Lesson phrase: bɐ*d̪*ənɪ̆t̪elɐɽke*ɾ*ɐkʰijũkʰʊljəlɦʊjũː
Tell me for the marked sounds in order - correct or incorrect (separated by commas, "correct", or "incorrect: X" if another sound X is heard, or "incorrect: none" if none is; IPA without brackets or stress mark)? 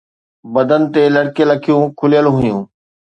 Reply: correct, incorrect: l